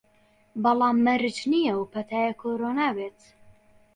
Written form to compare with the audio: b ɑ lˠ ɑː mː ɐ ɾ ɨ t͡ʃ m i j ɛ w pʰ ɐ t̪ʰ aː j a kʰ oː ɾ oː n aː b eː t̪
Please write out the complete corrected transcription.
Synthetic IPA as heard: b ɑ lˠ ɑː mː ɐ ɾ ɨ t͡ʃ n i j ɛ w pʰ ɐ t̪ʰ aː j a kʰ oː ɾ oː n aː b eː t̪

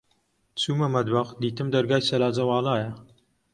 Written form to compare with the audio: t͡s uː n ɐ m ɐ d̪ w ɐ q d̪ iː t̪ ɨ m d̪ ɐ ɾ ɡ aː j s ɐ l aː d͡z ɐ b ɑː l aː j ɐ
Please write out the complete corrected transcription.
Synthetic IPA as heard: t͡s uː m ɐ m ɐ d̪ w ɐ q d̪ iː t̪ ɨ m d̪ ɐ ɾ ɡ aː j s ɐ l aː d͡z ɐ w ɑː l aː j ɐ

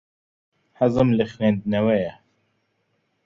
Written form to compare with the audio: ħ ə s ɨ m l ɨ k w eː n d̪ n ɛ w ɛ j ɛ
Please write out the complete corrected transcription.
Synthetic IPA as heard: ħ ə z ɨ m l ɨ x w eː n d̪ n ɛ w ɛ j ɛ

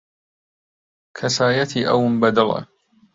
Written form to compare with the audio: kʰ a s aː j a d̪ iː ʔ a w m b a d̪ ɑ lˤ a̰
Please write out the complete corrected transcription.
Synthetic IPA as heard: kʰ a s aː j a t̪ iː ʔ a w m b a d̪ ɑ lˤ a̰

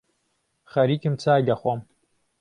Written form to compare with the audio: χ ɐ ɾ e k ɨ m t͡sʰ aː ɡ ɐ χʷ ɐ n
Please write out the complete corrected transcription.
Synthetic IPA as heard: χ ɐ ɾ i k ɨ m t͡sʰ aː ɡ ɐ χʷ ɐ m

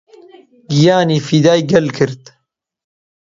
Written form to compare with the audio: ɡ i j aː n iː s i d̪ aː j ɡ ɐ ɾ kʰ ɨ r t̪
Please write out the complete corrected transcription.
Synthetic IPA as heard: ɡ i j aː n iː f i d̪ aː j ɡ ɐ l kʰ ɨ ɾ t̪

